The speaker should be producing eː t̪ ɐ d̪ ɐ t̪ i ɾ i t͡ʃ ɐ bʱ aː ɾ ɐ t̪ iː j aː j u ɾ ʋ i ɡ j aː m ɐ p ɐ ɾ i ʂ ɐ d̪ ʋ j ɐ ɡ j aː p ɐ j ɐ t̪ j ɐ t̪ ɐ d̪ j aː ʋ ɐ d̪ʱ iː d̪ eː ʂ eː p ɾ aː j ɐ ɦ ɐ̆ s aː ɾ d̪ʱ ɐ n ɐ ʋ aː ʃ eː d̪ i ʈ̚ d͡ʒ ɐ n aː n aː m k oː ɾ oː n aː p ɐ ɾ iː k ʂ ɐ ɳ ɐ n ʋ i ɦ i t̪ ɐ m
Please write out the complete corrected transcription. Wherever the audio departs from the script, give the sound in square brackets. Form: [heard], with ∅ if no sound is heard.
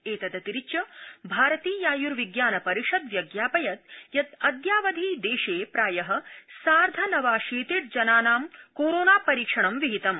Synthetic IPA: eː t̪ ɐ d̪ ɐ t̪ i ɾ i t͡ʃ ɐ bʱ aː ɾ ɐ t̪ iː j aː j u ɾ ʋ i ɡ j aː [n] ɐ p ɐ ɾ i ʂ ɐ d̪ ʋ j ɐ ɡ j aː p ɐ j ɐ t̪ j ɐ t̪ ɐ d̪ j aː ʋ ɐ d̪ʱ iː d̪ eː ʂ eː p ɾ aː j ɐ ɦ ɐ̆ s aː ɾ d̪ʱ ɐ n ɐ ʋ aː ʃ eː [t̪] i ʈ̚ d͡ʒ ɐ n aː n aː m k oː ɾ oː n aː p ɐ ɾ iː k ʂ ɐ ɳ ɐ [m] ʋ i ɦ i t̪ ɐ m